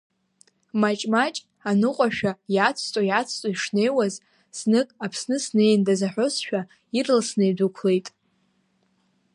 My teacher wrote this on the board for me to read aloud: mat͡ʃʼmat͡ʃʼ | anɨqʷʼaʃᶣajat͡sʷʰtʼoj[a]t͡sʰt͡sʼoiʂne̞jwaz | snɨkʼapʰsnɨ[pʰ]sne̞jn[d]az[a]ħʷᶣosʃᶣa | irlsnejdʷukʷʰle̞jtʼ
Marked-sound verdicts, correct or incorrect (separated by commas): correct, incorrect, correct, correct